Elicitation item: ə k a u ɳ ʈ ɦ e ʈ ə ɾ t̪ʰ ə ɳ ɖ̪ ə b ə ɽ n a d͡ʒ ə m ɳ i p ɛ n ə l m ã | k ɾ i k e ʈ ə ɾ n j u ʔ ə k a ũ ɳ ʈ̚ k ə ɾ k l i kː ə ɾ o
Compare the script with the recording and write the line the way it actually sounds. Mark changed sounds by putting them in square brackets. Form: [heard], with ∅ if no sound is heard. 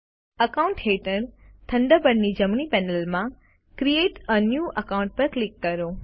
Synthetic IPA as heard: ə k a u ɳ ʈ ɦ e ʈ ə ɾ t̪ʰ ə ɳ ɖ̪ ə b ə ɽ n [i] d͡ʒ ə m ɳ i p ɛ n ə l m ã | k ɾ i [∅] e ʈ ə [∅] n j u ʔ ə k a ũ ɳ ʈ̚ [p] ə ɾ k l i kː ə ɾ o